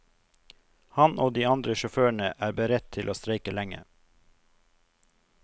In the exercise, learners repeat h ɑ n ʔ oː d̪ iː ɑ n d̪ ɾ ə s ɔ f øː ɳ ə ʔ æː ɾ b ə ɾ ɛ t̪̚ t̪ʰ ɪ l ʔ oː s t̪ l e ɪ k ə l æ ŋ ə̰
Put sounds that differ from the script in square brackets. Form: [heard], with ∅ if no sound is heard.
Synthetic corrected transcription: h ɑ n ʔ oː d̪ iː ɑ n d̪ ɾ ə [ʃ] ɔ f øː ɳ ə ʔ æː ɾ b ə ɾ ɛ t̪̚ t̪ʰ ɪ l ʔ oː s t̪ [ɾ] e ɪ k ə l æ ŋ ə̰